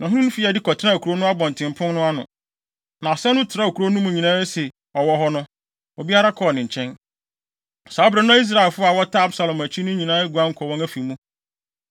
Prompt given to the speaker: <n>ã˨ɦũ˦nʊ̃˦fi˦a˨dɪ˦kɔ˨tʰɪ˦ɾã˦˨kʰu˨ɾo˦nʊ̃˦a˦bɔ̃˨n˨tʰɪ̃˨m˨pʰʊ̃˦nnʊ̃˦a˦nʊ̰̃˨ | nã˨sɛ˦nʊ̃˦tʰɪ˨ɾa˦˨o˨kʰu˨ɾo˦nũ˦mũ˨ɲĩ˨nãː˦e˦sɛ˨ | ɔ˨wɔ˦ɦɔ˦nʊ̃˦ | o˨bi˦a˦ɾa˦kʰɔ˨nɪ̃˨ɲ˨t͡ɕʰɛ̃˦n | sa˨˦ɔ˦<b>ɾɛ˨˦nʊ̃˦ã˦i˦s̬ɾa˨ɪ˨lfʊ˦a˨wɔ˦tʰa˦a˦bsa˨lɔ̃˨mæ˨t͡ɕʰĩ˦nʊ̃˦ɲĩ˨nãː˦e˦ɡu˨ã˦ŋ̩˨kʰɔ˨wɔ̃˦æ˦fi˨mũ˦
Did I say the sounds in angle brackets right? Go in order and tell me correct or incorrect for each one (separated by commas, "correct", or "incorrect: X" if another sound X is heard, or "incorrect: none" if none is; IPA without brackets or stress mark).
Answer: correct, correct